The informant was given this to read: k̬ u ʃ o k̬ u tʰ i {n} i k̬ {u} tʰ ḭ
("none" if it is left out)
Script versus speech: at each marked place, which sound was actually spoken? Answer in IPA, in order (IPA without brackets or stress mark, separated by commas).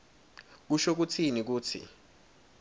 n, uː